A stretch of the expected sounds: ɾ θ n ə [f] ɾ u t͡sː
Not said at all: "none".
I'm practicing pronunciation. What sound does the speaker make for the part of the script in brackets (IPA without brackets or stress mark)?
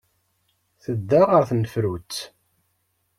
f